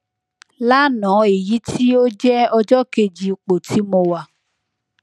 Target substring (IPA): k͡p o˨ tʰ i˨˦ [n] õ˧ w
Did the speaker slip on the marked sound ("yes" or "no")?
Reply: yes